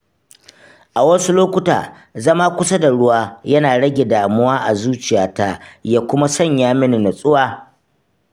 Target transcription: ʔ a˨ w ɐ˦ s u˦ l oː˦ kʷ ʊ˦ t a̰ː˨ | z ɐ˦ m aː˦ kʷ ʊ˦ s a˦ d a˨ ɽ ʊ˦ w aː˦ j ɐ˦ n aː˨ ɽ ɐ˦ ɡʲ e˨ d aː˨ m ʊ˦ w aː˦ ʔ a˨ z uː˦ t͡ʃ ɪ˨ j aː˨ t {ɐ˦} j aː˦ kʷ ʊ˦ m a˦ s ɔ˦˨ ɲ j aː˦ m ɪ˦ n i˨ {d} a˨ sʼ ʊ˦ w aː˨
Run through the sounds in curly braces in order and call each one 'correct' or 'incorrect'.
incorrect: a˦, incorrect: n

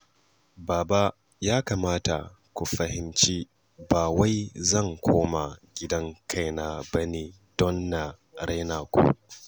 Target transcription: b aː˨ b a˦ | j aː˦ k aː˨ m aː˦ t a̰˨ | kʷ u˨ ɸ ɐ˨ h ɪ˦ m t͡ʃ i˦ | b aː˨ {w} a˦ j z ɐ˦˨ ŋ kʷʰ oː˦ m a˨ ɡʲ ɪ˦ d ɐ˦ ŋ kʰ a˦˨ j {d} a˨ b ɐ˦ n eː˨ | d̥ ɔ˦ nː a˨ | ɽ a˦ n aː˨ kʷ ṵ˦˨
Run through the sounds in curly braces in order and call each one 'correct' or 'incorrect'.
correct, incorrect: n

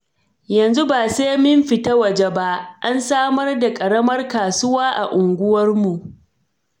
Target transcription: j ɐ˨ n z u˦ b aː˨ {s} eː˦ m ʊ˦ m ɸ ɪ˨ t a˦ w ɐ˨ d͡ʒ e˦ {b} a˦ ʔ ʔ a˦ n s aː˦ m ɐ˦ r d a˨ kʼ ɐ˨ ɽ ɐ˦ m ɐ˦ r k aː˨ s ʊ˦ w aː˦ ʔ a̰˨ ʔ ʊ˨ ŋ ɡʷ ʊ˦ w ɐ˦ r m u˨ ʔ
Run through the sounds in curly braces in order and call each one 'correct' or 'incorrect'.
correct, correct

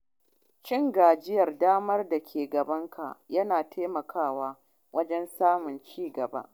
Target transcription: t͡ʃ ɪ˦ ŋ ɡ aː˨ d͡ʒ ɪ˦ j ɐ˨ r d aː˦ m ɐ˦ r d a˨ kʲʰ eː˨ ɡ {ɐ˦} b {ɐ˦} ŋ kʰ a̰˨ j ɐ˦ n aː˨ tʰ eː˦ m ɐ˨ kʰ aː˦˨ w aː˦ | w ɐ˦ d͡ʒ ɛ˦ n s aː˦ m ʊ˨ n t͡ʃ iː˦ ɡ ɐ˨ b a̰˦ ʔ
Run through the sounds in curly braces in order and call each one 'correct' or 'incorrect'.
incorrect: ɐ˨, correct

